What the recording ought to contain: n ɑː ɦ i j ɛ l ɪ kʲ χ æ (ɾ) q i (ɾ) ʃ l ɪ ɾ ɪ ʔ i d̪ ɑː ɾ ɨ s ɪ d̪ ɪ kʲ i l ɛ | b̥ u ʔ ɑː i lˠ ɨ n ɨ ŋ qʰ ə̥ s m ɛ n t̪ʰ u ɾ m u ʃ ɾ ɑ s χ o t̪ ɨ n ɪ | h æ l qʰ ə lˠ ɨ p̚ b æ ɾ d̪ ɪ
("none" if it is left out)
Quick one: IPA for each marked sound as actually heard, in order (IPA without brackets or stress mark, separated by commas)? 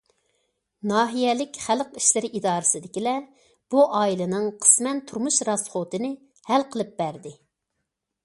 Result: l, none